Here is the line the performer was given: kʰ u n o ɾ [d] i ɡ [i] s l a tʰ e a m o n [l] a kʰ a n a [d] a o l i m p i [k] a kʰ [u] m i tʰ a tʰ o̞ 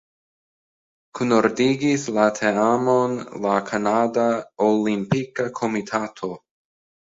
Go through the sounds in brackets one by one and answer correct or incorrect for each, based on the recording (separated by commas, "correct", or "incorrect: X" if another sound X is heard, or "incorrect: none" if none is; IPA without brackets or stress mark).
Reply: correct, correct, correct, correct, correct, incorrect: o